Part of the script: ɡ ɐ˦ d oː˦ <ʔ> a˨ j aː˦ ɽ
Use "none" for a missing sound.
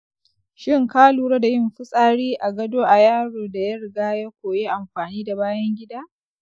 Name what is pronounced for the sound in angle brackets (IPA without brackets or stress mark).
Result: ʔ